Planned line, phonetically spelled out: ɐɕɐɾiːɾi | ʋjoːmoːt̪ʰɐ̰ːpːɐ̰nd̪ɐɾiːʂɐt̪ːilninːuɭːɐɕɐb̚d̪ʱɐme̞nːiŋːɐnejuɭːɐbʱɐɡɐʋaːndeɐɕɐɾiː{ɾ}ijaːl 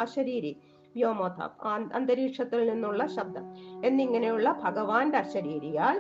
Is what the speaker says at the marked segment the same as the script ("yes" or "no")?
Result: yes